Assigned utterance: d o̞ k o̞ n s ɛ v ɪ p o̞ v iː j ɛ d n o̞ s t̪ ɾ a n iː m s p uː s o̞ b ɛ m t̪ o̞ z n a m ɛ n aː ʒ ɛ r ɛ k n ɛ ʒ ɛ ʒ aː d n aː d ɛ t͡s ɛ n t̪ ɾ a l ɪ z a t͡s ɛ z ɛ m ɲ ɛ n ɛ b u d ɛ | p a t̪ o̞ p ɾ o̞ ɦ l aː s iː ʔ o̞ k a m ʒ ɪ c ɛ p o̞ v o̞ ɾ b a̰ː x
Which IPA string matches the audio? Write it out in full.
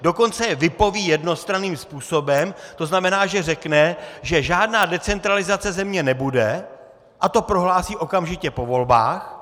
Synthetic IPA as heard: d o̞ k o̞ n t͡s ɛ v ɪ p o̞ v iː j ɛ d n o̞ s t̪ ɾ a n iː m s p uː s o̞ b ɛ m t̪ o̞ z n a m ɛ n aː ʒ ɛ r ɛ k n ɛ ʒ ɛ ʒ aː d n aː d ɛ t͡s ɛ n t̪ ɾ a l ɪ z a t͡s ɛ z ɛ m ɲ ɛ n ɛ b u d ɛ | ʔ a t̪ o̞ p ɾ o̞ ɦ l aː s iː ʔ o̞ k a m ʒ ɪ c ɛ p o̞ v o̞ l b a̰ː x